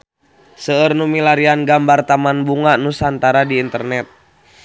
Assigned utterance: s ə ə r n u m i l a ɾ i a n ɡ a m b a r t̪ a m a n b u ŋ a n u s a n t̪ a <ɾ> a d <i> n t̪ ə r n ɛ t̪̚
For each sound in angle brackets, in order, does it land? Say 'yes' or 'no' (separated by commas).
yes, no